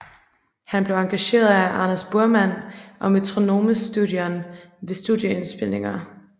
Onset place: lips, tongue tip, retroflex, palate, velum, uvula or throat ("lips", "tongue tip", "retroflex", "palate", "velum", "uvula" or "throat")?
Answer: throat